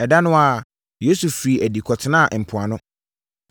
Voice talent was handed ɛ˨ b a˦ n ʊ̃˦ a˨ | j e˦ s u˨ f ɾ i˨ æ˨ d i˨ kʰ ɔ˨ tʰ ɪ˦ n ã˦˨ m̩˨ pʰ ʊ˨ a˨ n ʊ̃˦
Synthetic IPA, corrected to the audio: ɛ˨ d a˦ n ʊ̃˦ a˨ | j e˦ s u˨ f ɾ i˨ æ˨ d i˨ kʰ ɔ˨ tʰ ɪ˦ n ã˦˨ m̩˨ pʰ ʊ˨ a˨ n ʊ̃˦